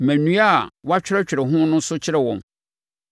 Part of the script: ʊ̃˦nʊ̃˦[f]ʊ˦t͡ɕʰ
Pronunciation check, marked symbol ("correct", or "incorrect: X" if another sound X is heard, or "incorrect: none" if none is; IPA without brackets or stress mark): incorrect: s